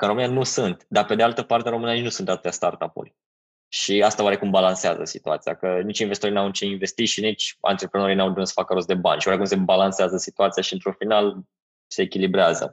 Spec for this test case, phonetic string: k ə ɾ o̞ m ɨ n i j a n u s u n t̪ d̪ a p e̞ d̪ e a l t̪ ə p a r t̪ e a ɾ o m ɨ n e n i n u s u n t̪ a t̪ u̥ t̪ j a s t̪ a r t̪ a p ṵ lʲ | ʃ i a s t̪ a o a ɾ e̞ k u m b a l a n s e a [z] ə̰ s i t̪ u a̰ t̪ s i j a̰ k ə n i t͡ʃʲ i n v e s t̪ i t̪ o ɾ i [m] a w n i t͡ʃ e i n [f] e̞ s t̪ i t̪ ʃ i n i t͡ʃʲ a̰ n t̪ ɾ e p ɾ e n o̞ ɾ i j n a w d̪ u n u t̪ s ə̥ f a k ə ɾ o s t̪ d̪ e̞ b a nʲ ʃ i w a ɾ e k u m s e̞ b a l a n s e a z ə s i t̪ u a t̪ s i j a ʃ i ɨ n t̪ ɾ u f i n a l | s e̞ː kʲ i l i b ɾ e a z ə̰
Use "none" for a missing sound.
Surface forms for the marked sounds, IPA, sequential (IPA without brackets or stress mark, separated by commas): z, n, v